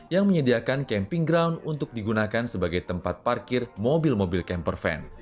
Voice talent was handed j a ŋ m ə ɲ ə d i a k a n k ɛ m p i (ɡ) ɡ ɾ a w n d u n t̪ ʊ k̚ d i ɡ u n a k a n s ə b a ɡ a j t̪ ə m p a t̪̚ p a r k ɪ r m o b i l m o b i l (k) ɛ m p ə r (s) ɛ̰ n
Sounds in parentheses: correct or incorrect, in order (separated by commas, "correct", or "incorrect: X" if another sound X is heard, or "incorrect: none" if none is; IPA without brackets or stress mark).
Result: incorrect: ŋ, correct, incorrect: f